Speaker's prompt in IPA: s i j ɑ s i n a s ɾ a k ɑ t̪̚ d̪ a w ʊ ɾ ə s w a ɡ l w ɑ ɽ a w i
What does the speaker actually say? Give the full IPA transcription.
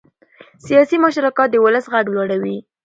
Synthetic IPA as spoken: s i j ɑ s i m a ʃ ɾ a k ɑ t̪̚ d̪ ə w ʊ l ə s ɣ a ɡ l w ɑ ɽ a w i